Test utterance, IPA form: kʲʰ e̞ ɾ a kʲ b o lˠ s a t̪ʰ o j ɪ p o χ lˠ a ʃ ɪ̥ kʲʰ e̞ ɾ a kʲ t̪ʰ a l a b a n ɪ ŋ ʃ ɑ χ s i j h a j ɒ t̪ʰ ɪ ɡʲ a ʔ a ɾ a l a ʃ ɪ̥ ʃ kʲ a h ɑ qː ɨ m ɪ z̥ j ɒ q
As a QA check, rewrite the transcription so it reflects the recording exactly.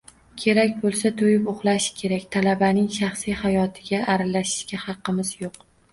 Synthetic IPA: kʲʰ e̞ ɾ a kʲ b o lˠ s a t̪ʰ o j ɪ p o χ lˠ a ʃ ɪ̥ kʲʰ e̞ ɾ a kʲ t̪ʰ a l a b a n ɪ ŋ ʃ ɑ χ s i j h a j ɒ t̪ʰ ɪ ɡʲ a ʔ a ɾ a l a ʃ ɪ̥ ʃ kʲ a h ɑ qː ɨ m ɪ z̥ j o q